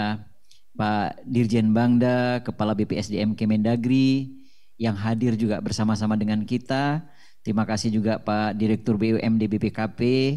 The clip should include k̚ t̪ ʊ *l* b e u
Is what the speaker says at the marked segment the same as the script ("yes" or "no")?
no